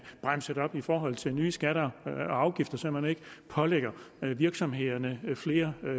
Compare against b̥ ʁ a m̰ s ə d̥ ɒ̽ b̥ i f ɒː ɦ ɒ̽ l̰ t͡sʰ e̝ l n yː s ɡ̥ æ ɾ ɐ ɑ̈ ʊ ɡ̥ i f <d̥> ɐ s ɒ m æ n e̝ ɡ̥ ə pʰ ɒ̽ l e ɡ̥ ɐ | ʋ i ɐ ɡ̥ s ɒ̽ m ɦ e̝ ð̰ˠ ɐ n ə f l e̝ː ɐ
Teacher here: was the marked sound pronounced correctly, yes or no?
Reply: yes